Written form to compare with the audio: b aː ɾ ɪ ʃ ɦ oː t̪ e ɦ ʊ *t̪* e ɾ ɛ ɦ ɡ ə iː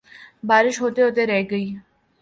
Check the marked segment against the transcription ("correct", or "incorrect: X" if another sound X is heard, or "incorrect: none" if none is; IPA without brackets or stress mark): correct